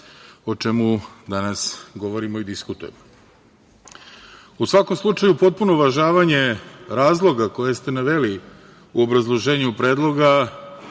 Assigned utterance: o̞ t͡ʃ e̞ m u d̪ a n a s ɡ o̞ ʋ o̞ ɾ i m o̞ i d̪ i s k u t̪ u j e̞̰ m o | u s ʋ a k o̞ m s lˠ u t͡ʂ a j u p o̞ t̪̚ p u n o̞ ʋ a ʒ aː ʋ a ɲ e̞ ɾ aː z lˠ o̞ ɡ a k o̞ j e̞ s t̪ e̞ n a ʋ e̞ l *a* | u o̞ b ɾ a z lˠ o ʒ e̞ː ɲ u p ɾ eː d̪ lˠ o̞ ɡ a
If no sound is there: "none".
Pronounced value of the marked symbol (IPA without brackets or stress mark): i